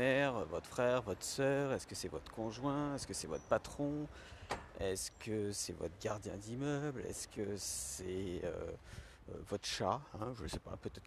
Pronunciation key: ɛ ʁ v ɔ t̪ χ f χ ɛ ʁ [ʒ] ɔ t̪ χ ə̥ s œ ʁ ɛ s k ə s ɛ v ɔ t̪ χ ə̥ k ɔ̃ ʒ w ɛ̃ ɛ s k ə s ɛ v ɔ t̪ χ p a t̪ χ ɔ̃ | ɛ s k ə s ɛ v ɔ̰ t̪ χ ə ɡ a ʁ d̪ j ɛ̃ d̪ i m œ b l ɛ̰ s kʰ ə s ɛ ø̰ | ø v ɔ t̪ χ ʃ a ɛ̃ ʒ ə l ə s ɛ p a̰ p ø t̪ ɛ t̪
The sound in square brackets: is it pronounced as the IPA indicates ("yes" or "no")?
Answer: no